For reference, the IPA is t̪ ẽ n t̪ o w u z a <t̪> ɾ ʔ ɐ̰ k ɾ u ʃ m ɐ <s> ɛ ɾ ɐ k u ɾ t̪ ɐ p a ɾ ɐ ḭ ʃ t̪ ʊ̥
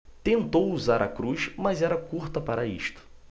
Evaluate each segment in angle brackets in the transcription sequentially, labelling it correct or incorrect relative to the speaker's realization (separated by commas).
incorrect, incorrect